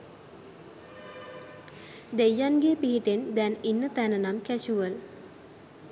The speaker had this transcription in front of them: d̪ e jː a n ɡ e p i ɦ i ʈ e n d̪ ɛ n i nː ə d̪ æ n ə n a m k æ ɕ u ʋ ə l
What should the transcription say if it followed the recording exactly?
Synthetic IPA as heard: d̪ e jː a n ɡ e p i ɦ i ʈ e n d̪ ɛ n i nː ə t̪ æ n ə n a m k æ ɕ u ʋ ə l

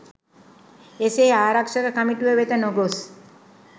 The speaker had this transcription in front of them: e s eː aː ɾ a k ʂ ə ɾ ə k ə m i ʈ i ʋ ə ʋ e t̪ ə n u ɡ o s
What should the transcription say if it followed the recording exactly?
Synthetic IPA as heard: e s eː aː ɾ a k ʂ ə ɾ ə k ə m i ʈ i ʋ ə ʋ e t̪ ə n o ɡ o s

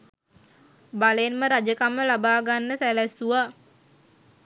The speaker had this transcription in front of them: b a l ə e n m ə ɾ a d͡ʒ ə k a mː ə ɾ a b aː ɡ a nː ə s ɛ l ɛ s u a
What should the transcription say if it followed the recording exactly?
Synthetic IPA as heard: b a l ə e n m ə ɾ a d͡ʒ ə k a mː ə l a b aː ɡ a nː ə s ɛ l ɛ s u a

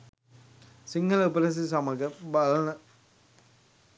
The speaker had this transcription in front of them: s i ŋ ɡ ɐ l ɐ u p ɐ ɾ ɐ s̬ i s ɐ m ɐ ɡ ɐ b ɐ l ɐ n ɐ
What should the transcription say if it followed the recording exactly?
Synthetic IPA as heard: s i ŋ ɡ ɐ l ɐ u p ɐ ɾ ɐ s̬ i s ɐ m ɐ ɡ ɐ b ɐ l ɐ n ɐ

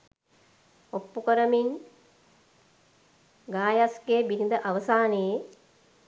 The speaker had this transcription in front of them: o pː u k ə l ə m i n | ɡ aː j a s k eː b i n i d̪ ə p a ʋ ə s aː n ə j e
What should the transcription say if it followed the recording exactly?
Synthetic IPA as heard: o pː u k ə ɾ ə m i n | ɡ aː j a s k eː b i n i d̪ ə ʔ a ʋ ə s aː n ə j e

